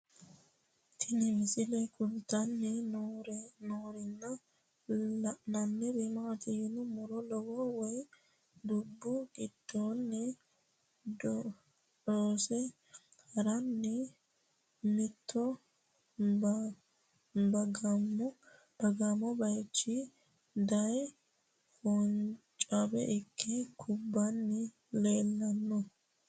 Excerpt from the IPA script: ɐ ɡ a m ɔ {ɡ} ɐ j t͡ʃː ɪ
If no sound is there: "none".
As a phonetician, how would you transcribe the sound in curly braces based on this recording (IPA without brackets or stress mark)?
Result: b